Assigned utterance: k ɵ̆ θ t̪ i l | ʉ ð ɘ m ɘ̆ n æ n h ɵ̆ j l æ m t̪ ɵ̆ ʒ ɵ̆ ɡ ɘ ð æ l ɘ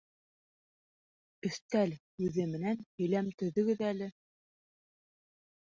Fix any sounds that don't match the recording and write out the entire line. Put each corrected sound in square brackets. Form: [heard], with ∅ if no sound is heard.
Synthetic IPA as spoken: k ɵ̆ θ t̪ [æ] l | ʉ ð ɘ m ɘ̆ n æ n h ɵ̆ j l æ m t̪ ɵ̆ [ð] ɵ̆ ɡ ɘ ð æ l ɘ